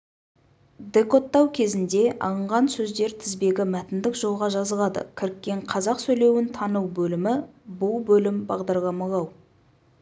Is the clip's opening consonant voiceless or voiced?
voiced